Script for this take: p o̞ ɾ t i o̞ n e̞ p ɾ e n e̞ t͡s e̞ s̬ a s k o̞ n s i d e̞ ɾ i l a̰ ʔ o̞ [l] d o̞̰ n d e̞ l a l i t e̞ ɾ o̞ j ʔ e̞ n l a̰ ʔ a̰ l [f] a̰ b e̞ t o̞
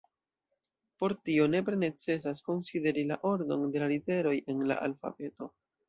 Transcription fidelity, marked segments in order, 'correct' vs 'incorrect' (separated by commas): incorrect, correct